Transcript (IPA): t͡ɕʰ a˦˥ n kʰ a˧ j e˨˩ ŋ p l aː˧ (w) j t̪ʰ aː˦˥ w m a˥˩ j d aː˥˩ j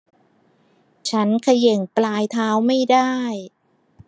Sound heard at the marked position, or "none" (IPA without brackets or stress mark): none